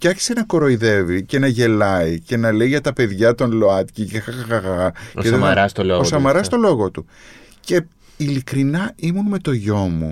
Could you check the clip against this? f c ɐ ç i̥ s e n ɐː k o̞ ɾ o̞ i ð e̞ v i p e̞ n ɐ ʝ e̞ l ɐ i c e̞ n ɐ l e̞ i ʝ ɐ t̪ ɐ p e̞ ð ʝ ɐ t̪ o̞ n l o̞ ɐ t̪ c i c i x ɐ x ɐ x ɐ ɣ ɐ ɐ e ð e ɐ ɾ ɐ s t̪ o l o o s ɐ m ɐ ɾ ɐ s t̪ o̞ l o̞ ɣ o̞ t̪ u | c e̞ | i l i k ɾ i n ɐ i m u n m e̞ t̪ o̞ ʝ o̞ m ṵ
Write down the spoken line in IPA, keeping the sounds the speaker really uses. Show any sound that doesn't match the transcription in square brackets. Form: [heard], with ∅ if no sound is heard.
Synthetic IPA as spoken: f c ɐ ç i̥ s e n [ɐ] k o̞ ɾ o̞ i ð e̞ v i [c] e̞ n ɐ ʝ e̞ l ɐ i c e̞ n ɐ l e̞ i ʝ ɐ t̪ ɐ p e̞ ð ʝ ɐ t̪ o̞ n l o̞ ɐ t̪ c i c [e] x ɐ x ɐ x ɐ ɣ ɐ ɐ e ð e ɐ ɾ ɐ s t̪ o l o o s ɐ m ɐ ɾ ɐ s t̪ o̞ l o̞ ɣ o̞ t̪ u | c e̞ | i l i k ɾ i n ɐ i m u n m e̞ t̪ o̞ ʝ o̞ m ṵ